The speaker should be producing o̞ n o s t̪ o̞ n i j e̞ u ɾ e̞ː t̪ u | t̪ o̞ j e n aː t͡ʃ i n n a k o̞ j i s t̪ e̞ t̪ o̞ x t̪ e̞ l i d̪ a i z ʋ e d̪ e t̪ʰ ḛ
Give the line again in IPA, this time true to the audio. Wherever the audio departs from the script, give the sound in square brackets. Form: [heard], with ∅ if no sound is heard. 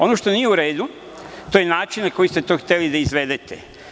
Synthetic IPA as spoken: o̞ n o [ʃ] t̪ o̞ n i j e̞ u ɾ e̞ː [d̪] u | t̪ o̞ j e n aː t͡ʃ i n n a k o̞ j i s t̪ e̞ t̪ o̞ x t̪ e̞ l i d̪ a i z ʋ e d̪ e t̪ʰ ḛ